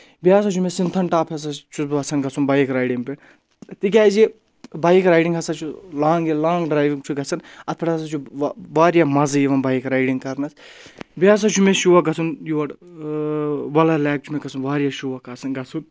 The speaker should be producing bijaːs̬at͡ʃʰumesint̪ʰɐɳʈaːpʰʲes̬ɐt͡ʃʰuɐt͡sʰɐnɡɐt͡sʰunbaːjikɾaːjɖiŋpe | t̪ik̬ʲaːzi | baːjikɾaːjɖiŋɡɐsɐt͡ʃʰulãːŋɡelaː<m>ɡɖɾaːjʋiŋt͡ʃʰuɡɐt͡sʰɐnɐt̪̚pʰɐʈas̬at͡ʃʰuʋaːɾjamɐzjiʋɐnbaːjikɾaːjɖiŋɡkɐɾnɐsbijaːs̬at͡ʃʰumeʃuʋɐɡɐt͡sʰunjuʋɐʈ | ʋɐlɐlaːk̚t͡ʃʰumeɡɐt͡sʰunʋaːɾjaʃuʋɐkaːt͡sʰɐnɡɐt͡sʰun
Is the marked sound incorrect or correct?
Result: incorrect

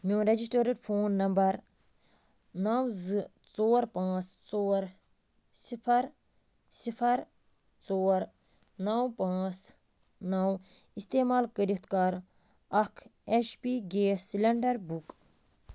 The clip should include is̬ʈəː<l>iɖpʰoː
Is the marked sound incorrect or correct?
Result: incorrect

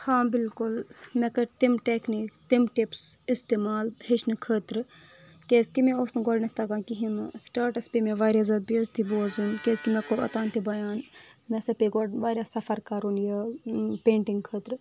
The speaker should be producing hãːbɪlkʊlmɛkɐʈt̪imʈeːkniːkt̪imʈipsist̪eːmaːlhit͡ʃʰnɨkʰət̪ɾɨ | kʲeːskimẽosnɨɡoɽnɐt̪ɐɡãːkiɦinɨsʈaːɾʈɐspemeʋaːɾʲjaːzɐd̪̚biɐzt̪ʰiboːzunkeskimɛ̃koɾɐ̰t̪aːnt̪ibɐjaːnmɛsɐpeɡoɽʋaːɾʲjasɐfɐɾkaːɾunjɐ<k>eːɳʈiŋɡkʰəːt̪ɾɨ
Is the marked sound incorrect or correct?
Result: incorrect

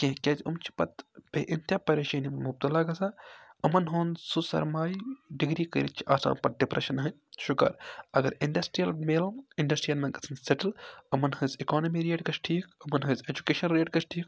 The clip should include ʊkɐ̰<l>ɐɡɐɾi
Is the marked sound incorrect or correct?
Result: incorrect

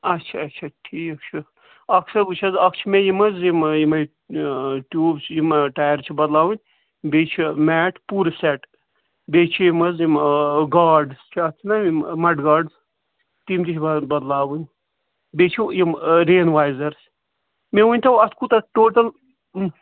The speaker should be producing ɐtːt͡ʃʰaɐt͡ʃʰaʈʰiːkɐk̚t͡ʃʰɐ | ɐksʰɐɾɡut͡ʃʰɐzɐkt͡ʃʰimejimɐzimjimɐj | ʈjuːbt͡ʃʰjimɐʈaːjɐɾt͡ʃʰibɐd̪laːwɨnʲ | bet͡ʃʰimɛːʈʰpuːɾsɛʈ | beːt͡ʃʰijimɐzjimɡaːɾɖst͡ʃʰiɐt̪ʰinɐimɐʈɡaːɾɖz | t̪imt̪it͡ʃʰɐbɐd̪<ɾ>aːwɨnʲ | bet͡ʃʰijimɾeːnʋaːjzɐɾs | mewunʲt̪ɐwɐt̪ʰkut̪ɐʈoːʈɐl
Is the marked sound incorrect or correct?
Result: incorrect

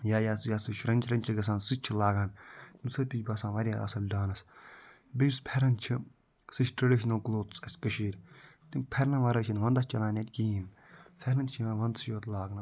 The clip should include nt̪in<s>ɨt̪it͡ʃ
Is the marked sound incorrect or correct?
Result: correct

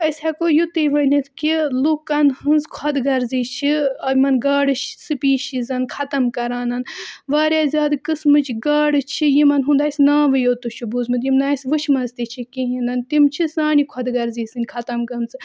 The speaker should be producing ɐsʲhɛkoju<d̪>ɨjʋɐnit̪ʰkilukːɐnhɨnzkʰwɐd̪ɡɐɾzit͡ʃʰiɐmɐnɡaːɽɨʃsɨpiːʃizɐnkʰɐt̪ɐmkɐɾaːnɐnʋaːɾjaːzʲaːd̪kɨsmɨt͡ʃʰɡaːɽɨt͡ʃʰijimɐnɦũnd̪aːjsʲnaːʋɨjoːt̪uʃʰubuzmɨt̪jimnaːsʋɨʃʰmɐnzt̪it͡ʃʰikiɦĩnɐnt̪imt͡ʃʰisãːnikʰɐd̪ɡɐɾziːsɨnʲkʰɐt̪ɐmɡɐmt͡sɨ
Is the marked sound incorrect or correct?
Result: incorrect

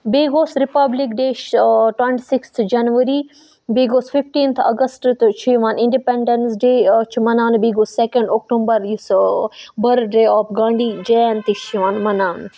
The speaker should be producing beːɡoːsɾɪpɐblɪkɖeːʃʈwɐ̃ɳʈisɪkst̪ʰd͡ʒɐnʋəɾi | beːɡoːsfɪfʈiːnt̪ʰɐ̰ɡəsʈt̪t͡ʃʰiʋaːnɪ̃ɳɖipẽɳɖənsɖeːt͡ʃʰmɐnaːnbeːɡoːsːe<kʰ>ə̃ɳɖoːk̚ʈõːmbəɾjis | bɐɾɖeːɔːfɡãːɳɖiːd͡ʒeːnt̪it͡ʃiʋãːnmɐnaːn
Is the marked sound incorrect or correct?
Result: incorrect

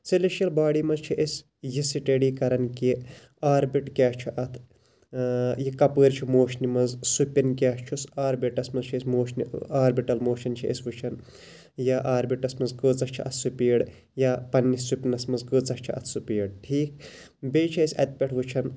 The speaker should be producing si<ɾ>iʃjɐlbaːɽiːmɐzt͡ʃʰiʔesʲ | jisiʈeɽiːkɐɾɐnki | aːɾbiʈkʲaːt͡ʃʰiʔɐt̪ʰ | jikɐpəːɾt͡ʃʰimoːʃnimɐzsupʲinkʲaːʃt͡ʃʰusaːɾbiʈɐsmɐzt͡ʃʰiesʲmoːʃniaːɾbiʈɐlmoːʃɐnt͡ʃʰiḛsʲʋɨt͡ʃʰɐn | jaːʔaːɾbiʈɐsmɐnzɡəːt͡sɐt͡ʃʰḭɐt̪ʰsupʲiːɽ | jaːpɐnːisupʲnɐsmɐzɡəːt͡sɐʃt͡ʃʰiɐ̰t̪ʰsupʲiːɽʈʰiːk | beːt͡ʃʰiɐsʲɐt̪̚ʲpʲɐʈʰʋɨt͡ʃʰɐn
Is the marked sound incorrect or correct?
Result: incorrect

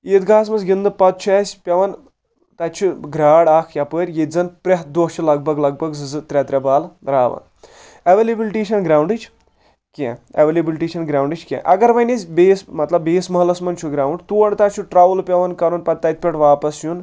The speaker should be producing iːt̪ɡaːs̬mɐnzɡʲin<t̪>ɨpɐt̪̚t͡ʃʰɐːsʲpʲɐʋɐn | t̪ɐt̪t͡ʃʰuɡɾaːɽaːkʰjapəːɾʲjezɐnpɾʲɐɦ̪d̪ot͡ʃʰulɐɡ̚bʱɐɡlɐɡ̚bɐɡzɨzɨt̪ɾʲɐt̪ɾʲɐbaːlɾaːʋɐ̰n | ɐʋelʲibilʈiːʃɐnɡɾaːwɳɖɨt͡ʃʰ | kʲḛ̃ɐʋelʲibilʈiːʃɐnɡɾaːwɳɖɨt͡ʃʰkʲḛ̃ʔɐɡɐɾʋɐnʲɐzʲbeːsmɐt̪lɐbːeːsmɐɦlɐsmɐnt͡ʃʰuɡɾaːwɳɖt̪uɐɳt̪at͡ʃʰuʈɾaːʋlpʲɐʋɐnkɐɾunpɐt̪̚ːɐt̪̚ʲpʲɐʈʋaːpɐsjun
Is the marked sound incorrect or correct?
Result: incorrect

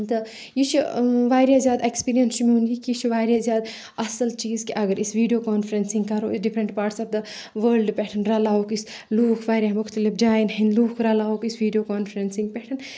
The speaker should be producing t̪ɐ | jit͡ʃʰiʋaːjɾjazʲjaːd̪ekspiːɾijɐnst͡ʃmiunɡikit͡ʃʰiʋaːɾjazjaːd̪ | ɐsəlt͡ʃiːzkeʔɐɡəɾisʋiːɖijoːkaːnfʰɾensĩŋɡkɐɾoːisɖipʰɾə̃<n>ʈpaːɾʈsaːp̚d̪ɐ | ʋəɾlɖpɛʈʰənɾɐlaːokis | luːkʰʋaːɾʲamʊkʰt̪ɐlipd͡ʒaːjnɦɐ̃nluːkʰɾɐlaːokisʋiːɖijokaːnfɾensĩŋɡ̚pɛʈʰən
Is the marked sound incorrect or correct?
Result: incorrect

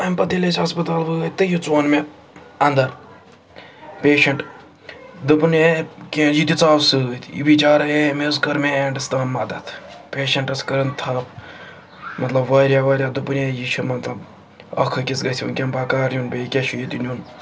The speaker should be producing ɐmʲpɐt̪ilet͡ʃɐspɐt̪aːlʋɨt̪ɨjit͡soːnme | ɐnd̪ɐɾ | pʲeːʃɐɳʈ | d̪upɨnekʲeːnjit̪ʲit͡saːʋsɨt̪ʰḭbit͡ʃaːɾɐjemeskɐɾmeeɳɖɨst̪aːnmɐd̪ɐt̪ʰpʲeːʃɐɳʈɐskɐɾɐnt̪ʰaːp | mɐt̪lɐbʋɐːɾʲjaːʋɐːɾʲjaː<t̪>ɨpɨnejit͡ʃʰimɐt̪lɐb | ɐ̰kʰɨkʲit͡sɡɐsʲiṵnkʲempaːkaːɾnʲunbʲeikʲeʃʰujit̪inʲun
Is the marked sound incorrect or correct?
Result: incorrect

